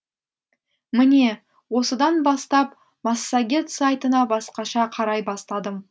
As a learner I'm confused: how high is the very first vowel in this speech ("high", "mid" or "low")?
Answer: high